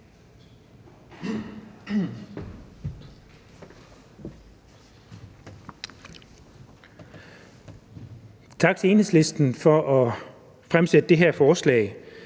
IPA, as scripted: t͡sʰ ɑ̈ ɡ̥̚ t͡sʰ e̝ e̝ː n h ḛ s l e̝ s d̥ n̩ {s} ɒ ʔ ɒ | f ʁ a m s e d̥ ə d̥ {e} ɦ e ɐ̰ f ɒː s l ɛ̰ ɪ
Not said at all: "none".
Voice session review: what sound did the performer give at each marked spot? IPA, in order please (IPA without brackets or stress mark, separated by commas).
f, e